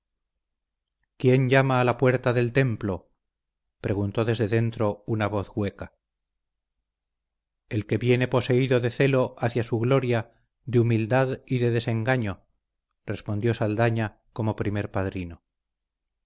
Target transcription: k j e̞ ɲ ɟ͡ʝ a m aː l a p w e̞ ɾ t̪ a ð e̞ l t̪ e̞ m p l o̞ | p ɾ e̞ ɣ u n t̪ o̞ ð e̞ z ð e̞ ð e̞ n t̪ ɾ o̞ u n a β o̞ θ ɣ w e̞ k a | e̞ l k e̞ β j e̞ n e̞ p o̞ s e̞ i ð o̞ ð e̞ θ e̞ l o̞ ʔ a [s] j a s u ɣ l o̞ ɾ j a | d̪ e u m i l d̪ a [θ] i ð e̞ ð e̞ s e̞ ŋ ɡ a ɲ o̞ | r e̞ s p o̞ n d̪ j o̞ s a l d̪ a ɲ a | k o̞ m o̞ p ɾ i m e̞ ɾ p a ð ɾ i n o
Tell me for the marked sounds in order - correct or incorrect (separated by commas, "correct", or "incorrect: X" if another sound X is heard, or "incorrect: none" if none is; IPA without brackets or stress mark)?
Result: incorrect: θ, incorrect: ð